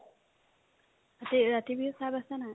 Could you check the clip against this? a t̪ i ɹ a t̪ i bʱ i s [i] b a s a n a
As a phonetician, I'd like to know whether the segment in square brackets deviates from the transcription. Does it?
yes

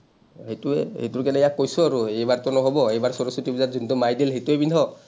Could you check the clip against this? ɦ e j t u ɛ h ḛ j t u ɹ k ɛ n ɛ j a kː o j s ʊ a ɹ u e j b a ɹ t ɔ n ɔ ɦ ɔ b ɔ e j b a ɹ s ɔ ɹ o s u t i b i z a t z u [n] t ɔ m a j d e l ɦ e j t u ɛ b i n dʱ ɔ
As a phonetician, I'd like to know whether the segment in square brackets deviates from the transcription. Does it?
no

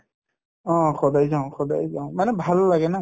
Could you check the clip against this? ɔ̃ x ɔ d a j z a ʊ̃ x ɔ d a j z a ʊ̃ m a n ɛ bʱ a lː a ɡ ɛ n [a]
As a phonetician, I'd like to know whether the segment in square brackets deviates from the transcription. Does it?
no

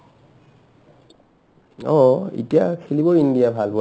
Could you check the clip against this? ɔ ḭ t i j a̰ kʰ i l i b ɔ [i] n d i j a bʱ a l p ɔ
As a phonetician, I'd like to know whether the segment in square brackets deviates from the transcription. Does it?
no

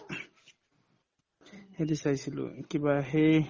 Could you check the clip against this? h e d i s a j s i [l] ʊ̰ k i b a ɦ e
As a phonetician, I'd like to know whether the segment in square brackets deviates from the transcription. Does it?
no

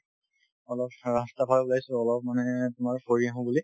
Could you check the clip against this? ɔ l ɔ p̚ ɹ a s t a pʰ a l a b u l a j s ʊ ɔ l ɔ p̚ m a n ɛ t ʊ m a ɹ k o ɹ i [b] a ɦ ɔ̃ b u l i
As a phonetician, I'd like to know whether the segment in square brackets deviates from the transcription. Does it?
yes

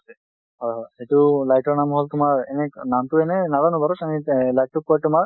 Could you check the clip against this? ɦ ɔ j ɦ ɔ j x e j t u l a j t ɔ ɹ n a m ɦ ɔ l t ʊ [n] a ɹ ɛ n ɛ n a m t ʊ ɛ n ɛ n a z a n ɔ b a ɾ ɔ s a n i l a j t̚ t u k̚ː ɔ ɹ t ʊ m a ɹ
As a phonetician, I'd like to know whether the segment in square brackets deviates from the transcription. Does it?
yes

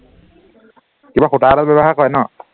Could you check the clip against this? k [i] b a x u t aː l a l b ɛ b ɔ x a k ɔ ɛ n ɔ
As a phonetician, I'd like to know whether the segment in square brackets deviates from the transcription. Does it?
no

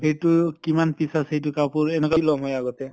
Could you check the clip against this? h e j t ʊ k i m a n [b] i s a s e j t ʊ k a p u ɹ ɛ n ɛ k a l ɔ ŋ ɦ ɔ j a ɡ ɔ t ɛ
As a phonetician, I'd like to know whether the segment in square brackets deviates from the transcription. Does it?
yes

